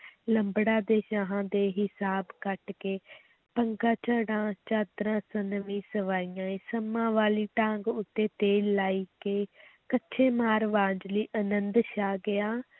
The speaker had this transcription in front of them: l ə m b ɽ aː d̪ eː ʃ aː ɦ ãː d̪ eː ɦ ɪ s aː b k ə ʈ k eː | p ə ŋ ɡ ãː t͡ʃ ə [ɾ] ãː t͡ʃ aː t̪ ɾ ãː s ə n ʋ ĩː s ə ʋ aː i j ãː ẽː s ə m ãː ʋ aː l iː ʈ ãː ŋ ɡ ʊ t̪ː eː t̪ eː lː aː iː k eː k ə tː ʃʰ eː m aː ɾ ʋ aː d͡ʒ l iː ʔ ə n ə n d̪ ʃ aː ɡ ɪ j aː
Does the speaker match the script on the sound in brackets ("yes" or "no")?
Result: no